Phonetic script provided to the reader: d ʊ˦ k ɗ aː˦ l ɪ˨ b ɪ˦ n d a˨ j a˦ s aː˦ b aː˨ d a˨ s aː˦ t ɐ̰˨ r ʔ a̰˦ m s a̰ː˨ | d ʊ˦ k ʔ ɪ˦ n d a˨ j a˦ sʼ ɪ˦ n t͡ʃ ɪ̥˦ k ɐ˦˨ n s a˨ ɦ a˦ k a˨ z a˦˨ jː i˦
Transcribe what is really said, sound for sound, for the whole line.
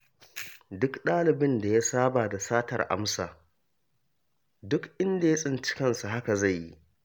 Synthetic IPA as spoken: d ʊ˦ k ɗ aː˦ l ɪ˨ b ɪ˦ n d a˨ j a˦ s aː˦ b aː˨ d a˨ s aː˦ t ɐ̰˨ r ʔ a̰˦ m s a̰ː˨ | d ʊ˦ k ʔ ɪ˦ n d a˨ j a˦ sʼ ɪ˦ n t͡ʃ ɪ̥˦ k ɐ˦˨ n s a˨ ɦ a˦ k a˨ z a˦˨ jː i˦

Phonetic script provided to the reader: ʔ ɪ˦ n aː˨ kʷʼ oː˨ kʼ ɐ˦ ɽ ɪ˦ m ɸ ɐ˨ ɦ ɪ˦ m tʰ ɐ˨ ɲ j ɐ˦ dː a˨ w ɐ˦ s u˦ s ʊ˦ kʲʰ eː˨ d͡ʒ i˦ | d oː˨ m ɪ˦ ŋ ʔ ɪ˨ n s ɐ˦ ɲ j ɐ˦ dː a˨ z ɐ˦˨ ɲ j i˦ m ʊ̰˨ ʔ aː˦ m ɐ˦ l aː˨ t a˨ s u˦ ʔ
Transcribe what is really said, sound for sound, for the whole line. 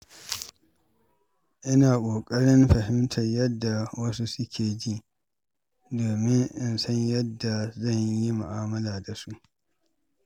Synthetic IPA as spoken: ʔ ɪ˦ n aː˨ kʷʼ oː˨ kʼ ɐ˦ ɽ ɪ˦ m ɸ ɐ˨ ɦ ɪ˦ m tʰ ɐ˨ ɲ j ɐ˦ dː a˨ w ɐ˦ s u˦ s ʊ˦ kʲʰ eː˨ d͡ʒ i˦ | d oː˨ m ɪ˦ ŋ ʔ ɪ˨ n s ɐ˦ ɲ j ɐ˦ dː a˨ z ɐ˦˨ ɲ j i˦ m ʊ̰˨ ʔ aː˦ m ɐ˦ l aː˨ d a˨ s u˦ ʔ

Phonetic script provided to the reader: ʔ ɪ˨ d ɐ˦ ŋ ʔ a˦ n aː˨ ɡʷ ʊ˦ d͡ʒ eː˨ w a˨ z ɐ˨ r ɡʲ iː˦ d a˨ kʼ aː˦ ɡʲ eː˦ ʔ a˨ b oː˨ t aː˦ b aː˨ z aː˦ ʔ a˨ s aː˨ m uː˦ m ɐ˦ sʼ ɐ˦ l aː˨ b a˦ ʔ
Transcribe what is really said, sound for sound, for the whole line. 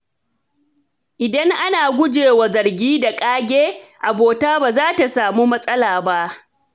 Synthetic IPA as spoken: ʔ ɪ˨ d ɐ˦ ŋ ʔ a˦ n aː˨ ɡʷ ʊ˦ d͡ʒ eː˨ w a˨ z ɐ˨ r ɡʲ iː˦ d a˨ kʼ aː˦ ɡʲ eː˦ ʔ a˨ b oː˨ t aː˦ b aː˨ z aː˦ t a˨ s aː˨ m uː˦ m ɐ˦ sʼ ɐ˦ l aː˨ b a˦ ʔ

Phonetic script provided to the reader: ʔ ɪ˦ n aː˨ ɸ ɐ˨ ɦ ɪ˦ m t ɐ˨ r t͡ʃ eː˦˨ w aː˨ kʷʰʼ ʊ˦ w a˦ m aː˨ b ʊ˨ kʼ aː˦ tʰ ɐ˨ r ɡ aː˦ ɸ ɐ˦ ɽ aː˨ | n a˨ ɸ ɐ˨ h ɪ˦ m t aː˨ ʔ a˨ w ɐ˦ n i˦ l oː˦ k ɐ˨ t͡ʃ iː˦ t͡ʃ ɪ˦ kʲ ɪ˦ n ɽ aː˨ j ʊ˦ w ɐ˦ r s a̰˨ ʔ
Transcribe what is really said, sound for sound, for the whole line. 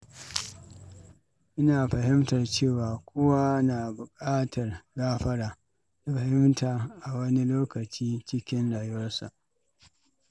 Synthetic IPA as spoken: ʔ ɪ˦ n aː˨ ɸ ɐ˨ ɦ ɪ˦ m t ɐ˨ r t͡ʃ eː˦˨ w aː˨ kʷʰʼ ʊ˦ w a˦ n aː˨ b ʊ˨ kʼ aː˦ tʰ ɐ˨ r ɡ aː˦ ɸ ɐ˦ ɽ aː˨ | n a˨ ɸ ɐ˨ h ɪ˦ m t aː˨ ʔ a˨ w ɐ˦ n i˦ l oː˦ k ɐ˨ t͡ʃ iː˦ t͡ʃ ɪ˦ kʲ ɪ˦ n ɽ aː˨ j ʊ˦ w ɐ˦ r s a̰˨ ʔ

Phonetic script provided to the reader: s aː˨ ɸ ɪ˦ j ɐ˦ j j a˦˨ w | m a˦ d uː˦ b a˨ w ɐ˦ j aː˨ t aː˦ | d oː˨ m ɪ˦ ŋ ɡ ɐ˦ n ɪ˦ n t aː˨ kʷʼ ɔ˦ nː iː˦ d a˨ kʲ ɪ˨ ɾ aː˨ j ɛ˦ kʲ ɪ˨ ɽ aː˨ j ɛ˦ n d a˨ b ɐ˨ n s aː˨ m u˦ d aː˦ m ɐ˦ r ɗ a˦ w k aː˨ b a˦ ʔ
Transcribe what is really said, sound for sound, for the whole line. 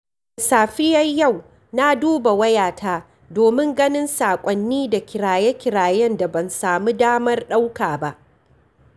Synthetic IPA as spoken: s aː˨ ɸ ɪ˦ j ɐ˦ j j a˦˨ w | n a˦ d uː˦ b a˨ w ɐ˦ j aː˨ t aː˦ | d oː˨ m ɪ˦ ŋ ɡ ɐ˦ n ɪ˦ n s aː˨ kʷʼ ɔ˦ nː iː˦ d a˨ kʲ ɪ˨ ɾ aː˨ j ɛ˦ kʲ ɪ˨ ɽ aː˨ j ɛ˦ n d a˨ b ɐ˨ n s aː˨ m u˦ d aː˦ m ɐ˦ r ɗ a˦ w k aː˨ b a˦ ʔ

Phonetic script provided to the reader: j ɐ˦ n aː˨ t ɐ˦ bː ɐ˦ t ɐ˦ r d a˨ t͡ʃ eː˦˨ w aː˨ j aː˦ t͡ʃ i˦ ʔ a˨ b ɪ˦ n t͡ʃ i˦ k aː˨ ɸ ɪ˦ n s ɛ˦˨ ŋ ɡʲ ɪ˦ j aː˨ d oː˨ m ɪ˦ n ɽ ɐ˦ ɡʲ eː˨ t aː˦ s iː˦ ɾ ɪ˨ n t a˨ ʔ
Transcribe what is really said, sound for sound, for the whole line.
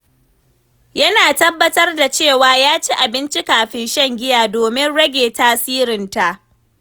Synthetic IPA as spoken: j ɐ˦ n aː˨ t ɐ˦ bː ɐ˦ t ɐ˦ r d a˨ t͡ʃ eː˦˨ w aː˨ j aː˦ t͡ʃ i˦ ʔ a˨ b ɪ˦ n t͡ʃ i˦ k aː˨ ɸ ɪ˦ n ʃ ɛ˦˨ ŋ ɡʲ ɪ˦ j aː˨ d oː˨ m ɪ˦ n ɽ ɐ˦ ɡʲ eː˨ t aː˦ s iː˦ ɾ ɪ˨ n t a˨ ʔ

